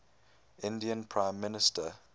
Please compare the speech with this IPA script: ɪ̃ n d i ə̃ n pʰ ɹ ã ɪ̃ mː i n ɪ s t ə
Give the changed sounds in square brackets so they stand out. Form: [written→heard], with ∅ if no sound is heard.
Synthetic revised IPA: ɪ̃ n d i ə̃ n pʰ ɹ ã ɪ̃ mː [i→ɪ] n ɪ s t ə